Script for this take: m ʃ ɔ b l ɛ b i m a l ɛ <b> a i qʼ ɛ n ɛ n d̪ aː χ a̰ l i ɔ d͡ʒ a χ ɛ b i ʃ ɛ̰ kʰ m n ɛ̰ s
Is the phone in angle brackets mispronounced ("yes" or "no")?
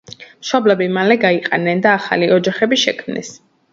yes